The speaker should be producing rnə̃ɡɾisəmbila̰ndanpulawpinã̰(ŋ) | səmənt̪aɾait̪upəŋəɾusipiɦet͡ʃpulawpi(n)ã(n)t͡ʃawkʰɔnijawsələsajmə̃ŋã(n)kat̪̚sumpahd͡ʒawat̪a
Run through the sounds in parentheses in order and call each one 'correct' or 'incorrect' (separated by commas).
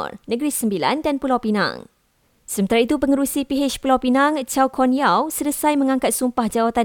correct, correct, incorrect, incorrect